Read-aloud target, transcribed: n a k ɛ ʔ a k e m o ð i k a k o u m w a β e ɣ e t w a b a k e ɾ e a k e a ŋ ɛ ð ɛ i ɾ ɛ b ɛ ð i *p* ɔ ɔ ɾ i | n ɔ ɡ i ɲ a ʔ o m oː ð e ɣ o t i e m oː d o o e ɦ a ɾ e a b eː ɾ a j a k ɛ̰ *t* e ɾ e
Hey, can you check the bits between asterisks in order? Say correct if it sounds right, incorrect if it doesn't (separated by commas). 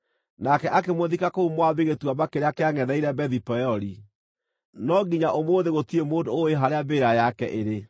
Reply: correct, incorrect